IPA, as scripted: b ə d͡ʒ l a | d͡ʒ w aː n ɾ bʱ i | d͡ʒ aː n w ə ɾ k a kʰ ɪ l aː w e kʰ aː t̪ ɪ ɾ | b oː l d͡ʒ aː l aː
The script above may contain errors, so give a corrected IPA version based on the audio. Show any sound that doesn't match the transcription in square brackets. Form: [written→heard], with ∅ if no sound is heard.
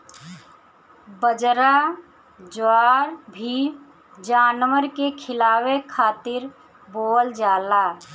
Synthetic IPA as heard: b ə d͡ʒ [l→ɾ] a | d͡ʒ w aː [n→∅] ɾ bʱ i | d͡ʒ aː n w ə ɾ k [a→e] kʰ ɪ l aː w e kʰ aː t̪ ɪ ɾ | b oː l d͡ʒ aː l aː